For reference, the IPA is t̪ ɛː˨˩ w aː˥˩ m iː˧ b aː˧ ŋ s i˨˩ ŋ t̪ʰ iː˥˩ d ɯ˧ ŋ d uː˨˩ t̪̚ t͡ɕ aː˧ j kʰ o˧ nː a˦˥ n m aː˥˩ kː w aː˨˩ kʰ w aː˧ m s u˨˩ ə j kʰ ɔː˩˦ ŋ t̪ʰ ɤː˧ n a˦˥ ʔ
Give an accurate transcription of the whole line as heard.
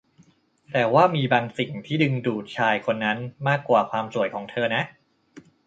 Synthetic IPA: t̪ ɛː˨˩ w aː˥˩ m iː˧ b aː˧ ŋ s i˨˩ ŋ t̪ʰ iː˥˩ d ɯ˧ ŋ d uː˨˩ t̪̚ t͡ɕʰ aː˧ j kʰ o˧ nː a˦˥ n m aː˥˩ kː w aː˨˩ kʰ w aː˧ m s u˨˩ ə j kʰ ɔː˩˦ ŋ t̪ʰ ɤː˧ n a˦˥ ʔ